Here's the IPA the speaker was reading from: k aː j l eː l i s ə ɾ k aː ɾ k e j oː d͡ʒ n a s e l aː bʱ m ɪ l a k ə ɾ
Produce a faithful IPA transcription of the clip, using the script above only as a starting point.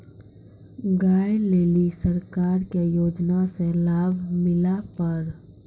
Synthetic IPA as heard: ɡ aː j l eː l i s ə ɾ k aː ɾ k e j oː d͡ʒ n a s e l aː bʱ m ɪ l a p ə ɾ